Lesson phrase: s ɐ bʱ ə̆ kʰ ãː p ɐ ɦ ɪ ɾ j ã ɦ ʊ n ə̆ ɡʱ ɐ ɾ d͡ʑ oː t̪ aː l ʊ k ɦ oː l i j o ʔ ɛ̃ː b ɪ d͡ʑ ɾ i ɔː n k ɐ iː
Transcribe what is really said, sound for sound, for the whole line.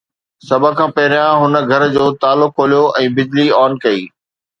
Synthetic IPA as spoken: s ɐ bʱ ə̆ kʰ ãː p ɐ ɦ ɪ ɾ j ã ɦ ʊ n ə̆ ɡʱ ɐ ɾ d͡ʑ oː t̪ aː l ʊ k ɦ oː l i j o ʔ ɛ̃ː b ɪ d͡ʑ l i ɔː n k ɐ iː

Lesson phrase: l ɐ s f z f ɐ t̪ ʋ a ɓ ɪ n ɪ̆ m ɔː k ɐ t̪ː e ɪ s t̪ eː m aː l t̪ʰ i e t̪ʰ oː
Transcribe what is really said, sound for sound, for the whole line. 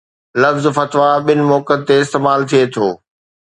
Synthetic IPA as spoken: l ɐ f z f ɐ t̪ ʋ a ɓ ɪ n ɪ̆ m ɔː k ə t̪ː e ɪ s t̪ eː m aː l t̪ʰ i e t̪ʰ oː

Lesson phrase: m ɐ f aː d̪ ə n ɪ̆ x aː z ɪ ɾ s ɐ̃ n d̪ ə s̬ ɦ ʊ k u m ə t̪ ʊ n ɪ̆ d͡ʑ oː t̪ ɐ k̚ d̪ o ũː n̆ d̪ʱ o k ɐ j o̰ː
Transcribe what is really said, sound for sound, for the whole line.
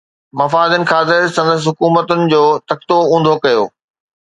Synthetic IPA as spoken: m ɐ f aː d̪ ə n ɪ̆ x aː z ɪ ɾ s ɐ̃ n d̪ ə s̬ ɦ ʊ k uː m ə t̪ ʊ n ɪ̆ d͡ʑ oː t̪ ɐ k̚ t̪ o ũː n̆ d̪ʱ o k ɐ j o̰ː

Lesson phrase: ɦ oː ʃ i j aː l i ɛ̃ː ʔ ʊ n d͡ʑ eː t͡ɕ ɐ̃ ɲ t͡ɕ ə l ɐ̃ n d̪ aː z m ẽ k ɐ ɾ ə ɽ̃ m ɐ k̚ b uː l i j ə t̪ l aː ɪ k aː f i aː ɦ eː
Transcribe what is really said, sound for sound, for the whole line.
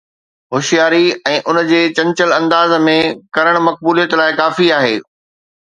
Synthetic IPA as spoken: ɦ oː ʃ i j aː ɾ i ɛ̃ː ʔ ʊ n d͡ʑ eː t͡ɕ ɐ̃ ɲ t͡ɕ ə l ɐ̃ n d̪ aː z m ẽ k ɐ ɾ ə ɽ̃ m ɐ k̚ b uː l i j ə t̪ l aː ɪ k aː f i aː ɦ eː

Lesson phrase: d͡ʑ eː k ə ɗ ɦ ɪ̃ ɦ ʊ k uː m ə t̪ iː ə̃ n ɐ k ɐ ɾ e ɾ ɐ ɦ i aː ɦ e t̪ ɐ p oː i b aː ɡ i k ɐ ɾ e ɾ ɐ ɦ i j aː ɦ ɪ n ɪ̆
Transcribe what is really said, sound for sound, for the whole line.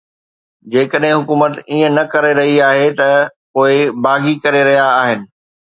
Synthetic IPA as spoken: d͡ʑ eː k ə ɗ ɦ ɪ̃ ɦ ʊ k uː m ə t̪ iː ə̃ n ɐ k ɐ ɾ e ɾ ɐ ɦ i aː ɦ e t̪ ɐ p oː ɪ b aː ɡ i k ɐ ɾ e ɾ ɐ ɦ i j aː ɦ ɪ n ɪ̆

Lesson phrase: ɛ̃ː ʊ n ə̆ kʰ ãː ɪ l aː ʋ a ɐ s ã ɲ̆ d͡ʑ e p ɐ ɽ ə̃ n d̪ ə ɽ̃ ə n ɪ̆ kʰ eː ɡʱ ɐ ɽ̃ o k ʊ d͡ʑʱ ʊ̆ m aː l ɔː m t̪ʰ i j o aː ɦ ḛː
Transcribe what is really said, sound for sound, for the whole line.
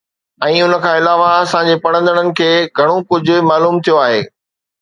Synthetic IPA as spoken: ɛ̃ː ʊ n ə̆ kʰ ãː ɪ l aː ʋ a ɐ s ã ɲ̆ d͡ʑ e p ɐ ɽ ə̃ n d̪ ə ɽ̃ ə n ɪ̆ kʰ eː ɡʱ ɐ ɽ̃ o k ʊ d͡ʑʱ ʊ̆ m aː l uː m t̪ʰ i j o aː ɦ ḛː

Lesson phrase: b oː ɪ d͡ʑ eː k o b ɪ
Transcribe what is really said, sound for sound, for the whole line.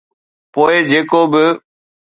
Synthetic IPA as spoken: p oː ɪ d͡ʑ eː k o b ɪ

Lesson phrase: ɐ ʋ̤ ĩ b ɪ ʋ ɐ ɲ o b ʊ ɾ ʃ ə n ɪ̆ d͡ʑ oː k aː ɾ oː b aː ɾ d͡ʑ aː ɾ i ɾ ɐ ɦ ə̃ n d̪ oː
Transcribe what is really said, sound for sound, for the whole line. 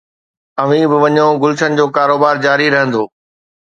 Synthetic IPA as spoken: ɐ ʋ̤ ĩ b ɪ ʋ ɐ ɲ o ɡ ʊ l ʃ ə n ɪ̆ d͡ʑ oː k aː ɾ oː b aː ɾ d͡ʑ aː ɾ i ɾ ɐ ɦ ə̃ n d̪ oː

